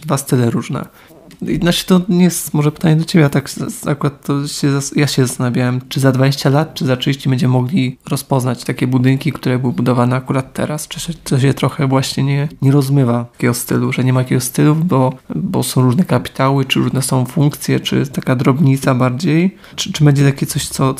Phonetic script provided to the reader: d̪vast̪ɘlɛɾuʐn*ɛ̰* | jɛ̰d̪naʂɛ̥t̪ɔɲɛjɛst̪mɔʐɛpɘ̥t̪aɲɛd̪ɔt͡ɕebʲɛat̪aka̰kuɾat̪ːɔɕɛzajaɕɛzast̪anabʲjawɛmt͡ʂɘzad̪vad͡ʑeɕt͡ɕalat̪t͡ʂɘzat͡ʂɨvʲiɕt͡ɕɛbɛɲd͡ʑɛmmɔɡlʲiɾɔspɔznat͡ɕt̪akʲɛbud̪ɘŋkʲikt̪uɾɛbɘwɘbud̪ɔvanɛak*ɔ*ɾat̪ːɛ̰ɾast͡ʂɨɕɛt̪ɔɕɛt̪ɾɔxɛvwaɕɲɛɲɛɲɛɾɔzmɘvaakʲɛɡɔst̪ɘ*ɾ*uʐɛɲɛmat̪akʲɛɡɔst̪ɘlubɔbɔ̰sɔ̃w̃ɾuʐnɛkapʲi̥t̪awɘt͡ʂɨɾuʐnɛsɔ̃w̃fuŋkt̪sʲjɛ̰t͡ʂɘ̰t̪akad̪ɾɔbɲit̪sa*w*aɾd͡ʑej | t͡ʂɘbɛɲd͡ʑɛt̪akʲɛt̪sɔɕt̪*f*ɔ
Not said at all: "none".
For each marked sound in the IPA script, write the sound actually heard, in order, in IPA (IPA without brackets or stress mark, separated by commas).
ɛ̰, u, l, b, s